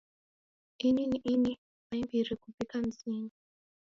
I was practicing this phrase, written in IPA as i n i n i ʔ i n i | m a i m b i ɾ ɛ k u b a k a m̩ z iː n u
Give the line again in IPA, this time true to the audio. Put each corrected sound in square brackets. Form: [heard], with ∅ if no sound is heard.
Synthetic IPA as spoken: i n i n i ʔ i n i | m a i m b i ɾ [i] k u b [i] k a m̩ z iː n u

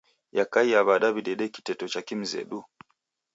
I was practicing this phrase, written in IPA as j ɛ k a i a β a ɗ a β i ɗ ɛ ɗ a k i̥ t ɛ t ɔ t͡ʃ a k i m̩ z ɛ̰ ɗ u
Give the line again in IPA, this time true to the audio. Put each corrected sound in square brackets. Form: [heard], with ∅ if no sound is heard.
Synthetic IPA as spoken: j [a] k a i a β a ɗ a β i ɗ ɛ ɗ [ɛ] k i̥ t ɛ t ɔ t͡ʃ a k i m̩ z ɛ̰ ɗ u

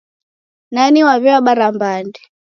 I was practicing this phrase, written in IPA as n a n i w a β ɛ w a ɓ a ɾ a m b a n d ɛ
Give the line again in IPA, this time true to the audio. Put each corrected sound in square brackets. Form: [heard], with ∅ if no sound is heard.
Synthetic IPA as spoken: n a n i w a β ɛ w a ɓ a ɾ a m b a n d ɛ

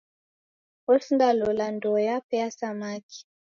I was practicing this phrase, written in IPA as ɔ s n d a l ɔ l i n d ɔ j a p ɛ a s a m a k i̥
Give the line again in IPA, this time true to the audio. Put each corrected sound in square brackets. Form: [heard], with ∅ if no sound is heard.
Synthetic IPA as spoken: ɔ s n d a l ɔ l [a] n d ɔ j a p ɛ a s a m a k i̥

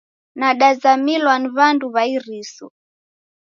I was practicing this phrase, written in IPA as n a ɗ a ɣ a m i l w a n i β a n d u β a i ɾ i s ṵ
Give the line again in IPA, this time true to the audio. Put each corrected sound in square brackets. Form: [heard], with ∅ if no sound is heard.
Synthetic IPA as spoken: n a ɗ a [z] a m i l w a n i β a n d u β a i ɾ i s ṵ

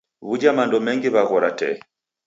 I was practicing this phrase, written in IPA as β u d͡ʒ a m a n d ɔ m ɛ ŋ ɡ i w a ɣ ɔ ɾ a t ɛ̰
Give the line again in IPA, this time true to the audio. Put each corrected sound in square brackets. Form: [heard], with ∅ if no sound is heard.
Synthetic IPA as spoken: β u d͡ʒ a m a n d ɔ m ɛ ŋ ɡ i [β] a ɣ ɔ ɾ a t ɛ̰

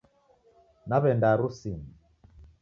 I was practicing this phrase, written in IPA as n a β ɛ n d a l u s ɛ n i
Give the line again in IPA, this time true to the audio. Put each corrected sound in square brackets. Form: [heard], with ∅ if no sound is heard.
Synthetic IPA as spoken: n a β ɛ n d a [ɾ] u s [i] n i

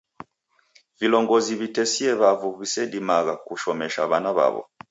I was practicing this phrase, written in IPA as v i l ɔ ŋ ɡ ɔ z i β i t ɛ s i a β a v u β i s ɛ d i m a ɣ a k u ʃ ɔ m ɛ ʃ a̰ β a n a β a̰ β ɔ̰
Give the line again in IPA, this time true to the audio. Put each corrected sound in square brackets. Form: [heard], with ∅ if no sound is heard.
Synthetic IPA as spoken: v i l ɔ ŋ ɡ ɔ z i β i t ɛ s i [ɛ] β a v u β i s ɛ d i m a ɣ a k u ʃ ɔ m ɛ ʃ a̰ β a n a β a̰ β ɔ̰

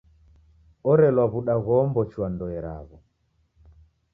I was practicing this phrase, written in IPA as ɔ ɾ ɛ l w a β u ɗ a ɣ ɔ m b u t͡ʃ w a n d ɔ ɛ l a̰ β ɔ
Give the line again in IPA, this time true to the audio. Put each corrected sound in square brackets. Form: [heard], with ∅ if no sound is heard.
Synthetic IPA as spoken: ɔ ɾ ɛ l w a β u ɗ a ɣ ɔ m b [ɔ] t͡ʃ w a n d ɔ ɛ [ɾ] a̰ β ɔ

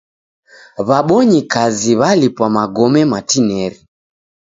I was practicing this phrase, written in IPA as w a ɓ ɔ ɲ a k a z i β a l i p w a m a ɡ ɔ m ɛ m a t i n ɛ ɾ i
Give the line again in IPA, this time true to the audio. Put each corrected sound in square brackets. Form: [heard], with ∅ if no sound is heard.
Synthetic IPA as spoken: [β] a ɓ ɔ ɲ [i] k a z i β a l i p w a m a ɡ ɔ m ɛ m a t i n ɛ ɾ i

